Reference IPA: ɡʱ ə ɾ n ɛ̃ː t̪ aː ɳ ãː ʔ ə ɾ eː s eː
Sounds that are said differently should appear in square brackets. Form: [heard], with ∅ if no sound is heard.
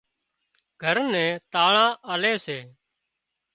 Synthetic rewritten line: ɡʱ ə ɾ n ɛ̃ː t̪ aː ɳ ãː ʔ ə [l] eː s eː